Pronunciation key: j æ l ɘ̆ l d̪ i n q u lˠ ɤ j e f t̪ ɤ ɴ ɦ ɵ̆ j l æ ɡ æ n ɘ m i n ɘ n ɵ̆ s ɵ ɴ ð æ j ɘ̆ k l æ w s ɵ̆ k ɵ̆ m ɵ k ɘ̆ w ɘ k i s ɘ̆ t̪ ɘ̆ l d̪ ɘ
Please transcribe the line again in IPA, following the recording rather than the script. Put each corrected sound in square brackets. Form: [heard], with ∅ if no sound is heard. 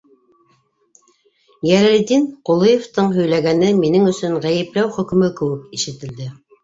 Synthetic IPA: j æ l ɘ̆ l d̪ i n q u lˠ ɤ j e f t̪ ɤ ɴ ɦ ɵ̆ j l æ ɡ æ n ɘ m i n ɘ [ŋ] ɵ̆ s ɵ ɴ [ʁ] æ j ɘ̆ [p] l æ w [χ] ɵ̆ k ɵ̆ m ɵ k ɘ̆ w ɘ k i [ʃ] ɘ̆ t̪ ɘ̆ l d̪ ɘ